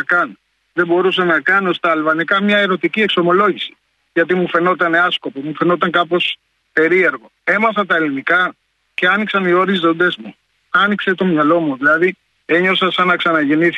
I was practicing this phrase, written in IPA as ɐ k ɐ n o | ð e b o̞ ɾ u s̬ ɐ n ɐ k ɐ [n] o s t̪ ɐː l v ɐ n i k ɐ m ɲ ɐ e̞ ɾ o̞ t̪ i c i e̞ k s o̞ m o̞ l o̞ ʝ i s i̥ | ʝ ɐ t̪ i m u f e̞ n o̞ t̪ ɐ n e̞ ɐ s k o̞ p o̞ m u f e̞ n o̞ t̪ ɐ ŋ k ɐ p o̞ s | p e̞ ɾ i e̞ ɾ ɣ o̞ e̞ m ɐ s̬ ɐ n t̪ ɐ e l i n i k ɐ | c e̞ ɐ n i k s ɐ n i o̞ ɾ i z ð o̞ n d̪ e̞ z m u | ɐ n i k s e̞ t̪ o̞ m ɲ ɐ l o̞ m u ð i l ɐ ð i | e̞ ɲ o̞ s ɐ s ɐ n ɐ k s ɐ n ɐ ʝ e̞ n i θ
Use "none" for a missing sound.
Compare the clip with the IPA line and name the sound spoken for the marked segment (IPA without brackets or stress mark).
n